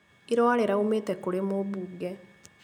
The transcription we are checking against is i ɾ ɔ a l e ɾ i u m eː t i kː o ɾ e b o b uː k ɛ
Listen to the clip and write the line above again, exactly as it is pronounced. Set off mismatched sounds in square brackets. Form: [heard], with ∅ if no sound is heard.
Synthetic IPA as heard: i ɾ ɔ a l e ɾ [a] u m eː t [ɛ] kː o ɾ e [m] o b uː [ɡ] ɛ